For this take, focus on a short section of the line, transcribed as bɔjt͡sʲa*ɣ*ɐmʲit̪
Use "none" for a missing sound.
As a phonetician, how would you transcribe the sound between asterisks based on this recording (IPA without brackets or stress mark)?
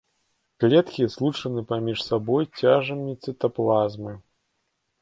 ʐ